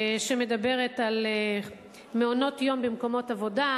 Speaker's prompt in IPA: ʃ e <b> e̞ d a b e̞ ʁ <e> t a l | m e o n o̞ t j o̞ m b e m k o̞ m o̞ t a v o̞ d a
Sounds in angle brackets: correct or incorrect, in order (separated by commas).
incorrect, correct